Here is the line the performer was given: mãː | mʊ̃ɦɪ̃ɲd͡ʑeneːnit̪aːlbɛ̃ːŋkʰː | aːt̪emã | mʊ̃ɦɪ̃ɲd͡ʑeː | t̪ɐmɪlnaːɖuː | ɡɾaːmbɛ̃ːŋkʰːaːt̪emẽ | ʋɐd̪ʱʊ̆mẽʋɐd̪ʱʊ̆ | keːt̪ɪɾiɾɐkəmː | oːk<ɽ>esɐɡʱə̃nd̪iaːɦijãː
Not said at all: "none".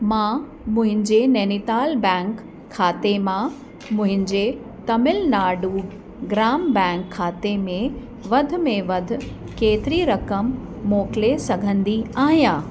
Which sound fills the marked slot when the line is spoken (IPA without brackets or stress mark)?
l